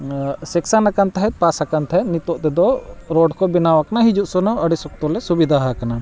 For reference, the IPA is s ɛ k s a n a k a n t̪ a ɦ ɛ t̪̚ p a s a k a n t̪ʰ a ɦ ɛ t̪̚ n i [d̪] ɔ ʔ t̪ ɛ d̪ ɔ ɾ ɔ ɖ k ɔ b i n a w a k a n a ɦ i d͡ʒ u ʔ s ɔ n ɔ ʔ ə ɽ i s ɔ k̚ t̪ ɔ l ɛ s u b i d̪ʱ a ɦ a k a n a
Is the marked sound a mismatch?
yes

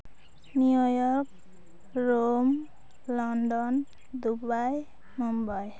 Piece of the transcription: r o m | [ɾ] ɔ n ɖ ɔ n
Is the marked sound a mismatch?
yes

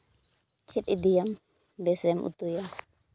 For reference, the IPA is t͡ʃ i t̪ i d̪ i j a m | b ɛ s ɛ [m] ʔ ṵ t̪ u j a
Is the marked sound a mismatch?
no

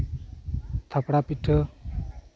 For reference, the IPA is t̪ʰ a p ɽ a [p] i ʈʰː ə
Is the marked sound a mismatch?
no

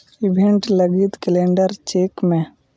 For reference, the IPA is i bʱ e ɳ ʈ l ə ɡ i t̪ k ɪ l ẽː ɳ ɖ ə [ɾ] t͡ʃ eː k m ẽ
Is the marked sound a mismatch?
no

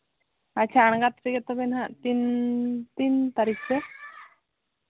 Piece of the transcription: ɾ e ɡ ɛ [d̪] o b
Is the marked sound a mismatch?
yes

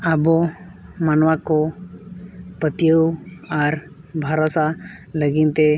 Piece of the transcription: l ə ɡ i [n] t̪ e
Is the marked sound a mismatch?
no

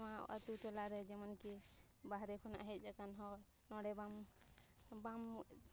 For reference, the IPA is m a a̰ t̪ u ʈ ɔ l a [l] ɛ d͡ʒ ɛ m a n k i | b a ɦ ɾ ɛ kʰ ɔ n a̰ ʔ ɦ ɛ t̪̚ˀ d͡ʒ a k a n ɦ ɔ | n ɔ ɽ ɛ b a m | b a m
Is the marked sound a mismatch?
yes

